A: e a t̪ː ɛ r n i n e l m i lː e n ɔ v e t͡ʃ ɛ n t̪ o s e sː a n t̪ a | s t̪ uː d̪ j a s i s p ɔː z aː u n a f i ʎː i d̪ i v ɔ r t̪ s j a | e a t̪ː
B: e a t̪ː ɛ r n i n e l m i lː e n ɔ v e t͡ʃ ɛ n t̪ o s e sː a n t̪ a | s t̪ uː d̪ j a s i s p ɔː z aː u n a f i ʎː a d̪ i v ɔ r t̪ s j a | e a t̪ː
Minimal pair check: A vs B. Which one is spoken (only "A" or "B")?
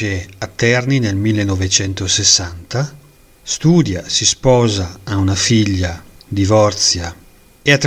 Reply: B